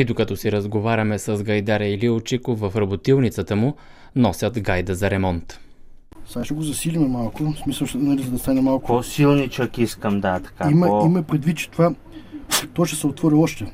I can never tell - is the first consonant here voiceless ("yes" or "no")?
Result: no